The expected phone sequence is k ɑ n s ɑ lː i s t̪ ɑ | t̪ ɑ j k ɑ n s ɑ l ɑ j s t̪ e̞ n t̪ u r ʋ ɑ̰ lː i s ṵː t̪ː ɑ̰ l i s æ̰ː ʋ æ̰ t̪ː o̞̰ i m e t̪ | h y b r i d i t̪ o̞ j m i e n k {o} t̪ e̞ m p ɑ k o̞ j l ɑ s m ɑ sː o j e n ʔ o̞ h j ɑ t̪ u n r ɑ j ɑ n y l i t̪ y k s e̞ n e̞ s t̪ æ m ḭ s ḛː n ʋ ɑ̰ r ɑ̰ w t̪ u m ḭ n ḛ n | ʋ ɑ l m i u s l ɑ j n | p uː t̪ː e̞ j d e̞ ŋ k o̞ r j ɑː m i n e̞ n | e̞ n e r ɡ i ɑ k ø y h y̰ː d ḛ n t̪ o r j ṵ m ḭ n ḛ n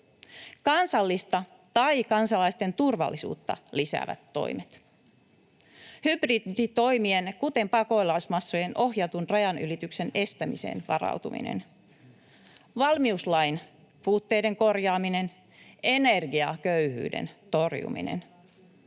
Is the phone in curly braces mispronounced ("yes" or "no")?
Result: yes